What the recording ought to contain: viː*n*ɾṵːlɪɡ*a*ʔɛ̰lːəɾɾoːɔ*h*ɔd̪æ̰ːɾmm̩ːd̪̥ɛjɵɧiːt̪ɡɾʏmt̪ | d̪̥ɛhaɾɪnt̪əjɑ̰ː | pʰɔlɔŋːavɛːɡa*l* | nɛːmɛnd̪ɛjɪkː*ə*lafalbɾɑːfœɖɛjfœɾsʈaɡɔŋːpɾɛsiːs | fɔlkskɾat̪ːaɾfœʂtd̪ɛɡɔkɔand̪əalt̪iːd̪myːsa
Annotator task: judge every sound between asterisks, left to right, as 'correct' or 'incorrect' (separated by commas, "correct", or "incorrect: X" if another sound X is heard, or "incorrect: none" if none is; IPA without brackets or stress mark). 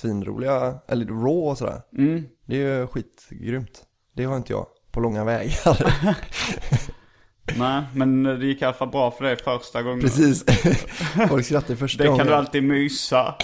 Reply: correct, correct, incorrect: s, incorrect: ɾ, incorrect: a